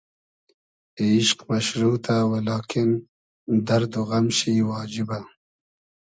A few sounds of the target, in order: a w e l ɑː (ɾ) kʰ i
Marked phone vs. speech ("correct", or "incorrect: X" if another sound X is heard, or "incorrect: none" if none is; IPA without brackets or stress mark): incorrect: none